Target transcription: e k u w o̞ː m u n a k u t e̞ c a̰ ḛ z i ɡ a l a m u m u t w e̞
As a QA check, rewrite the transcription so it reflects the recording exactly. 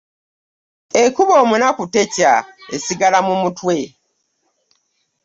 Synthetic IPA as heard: e k u β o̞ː m u n a k u t e̞ c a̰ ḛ s i ɡ a l a m u m u t w e̞